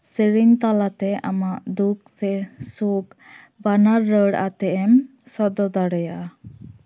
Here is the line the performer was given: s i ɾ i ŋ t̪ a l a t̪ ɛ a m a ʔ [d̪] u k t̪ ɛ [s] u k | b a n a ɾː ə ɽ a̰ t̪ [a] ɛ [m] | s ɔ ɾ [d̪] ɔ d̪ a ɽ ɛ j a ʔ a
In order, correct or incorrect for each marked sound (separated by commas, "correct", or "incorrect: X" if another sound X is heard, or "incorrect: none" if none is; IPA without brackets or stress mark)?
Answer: correct, correct, incorrect: ɛ, correct, correct